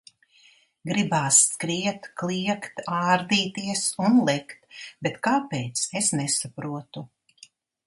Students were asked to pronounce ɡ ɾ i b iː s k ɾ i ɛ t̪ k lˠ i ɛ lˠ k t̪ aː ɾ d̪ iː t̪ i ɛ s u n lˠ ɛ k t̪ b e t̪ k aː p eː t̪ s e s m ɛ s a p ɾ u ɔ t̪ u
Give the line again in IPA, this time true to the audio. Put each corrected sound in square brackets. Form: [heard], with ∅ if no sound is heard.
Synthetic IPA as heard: ɡ ɾ i b [aː] s k ɾ i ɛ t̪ k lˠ i ɛ [∅] k t̪ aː ɾ d̪ iː t̪ i ɛ s u n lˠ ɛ k t̪ b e t̪ k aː p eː t̪ s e s [n] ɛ s a p ɾ u ɔ t̪ u